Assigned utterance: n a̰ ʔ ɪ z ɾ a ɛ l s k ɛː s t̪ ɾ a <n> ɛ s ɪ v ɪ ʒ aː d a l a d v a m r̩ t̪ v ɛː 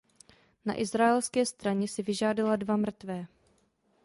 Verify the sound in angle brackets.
incorrect: ɲ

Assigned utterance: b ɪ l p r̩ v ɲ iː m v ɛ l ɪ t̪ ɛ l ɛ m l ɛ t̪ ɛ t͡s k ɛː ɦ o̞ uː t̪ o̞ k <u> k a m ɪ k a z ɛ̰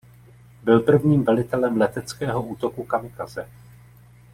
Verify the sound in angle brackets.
correct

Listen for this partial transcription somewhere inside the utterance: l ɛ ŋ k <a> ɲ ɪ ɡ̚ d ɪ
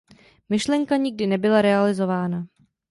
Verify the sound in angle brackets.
correct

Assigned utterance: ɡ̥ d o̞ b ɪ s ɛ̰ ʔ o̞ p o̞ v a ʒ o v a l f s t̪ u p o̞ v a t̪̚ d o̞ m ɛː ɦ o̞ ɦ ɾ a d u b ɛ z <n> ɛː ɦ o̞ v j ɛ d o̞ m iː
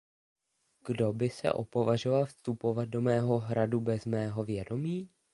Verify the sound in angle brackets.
incorrect: m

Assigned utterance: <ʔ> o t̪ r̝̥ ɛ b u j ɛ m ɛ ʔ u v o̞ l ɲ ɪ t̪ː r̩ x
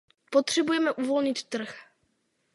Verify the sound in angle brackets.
incorrect: p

